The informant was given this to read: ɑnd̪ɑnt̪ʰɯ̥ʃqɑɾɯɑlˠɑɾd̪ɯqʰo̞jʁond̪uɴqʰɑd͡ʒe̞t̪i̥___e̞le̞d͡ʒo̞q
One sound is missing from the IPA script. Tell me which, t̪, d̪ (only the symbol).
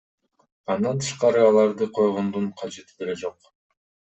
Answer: d̪